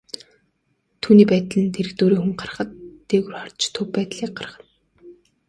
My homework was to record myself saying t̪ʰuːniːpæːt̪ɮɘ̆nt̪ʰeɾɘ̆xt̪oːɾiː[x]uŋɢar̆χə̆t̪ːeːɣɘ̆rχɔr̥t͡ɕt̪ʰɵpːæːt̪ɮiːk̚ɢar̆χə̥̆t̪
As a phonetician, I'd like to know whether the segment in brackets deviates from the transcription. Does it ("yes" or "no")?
no